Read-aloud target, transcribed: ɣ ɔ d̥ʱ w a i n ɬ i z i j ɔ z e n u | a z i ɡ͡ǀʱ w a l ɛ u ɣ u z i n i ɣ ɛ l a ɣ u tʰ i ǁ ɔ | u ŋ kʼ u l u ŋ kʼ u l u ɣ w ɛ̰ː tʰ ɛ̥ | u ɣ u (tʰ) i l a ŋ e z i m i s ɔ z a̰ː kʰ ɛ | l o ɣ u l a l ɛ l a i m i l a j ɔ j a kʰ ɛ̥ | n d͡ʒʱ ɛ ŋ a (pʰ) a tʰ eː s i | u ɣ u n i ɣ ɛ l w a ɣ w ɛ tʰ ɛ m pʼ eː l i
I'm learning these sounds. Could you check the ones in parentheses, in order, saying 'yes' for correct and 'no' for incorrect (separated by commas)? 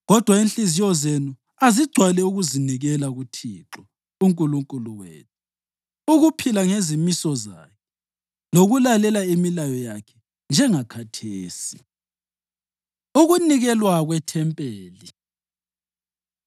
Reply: no, no